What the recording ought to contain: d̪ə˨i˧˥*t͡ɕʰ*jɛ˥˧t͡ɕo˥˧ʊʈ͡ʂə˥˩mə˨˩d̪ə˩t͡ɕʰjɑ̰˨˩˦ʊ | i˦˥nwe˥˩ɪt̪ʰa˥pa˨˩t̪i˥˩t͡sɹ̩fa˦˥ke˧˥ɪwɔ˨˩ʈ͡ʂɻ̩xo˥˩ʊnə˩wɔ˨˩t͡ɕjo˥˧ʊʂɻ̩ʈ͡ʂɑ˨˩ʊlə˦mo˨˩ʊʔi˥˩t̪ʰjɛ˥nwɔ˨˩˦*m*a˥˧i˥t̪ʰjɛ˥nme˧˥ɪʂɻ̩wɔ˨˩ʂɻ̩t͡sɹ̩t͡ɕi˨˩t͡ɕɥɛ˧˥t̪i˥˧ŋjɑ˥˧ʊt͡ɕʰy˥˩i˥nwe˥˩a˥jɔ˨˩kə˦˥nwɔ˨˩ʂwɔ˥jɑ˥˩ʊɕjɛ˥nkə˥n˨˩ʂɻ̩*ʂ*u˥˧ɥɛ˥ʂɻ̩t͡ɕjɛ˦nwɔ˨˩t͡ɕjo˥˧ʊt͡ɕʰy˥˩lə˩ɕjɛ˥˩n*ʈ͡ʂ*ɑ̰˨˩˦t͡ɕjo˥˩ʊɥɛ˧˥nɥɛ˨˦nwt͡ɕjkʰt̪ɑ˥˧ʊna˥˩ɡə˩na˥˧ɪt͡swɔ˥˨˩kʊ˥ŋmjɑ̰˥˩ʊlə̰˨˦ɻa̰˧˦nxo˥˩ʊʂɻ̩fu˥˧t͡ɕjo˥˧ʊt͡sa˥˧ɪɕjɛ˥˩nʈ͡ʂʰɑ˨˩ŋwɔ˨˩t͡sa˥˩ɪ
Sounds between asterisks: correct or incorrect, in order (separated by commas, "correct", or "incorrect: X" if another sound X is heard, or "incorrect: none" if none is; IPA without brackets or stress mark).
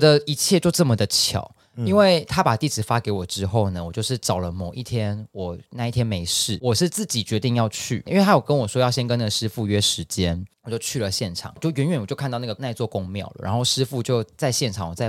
correct, incorrect: n, incorrect: f, incorrect: ʈ͡ʂʰ